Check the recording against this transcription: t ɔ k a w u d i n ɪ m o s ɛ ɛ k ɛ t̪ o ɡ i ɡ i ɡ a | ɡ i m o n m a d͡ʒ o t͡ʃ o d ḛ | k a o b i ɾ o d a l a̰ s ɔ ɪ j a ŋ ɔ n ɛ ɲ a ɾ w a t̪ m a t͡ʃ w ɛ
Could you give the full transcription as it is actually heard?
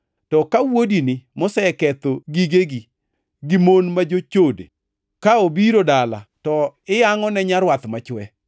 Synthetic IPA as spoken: t ɔ k a w o d i n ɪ m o s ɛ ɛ k ɛ t̪ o ɡ i ɡ e ɡ i | ɡ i m o n m a d͡ʒ o t͡ʃ o d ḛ | k a o b i ɾ o d a l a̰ t ɔ ɪ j a ŋ ɔ n ɛ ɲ a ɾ w a t̪ m a t͡ʃ w ɛ